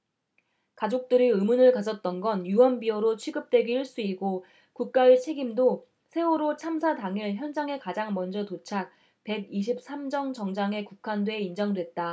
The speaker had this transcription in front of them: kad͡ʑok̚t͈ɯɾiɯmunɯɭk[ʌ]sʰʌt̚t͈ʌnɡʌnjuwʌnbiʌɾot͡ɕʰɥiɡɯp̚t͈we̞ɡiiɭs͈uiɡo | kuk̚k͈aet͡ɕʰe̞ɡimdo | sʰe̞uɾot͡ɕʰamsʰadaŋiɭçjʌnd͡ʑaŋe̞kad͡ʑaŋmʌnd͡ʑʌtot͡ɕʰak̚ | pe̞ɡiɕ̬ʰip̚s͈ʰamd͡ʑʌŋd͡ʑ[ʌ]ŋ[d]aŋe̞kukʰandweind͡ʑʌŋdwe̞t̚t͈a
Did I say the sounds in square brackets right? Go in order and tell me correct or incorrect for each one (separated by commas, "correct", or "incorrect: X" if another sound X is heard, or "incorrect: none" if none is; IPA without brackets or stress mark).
incorrect: a, correct, incorrect: d͡ʑ